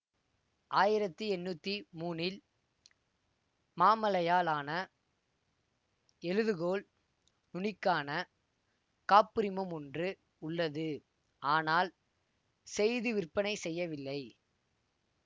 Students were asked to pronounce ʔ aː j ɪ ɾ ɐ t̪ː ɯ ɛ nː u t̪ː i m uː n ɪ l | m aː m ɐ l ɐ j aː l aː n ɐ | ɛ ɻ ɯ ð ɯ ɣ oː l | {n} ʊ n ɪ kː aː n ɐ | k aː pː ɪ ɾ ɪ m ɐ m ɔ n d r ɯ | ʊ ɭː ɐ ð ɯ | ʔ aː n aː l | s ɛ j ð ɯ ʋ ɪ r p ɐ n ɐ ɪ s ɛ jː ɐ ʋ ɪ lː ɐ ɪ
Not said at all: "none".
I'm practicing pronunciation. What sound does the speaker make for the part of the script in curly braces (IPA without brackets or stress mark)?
n